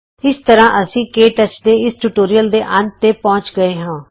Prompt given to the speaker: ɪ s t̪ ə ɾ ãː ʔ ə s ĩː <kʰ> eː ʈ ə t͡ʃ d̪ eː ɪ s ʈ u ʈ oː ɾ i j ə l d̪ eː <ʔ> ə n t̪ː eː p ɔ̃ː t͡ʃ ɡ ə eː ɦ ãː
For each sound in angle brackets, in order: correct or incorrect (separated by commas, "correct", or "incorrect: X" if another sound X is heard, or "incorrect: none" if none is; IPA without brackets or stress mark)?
incorrect: k, correct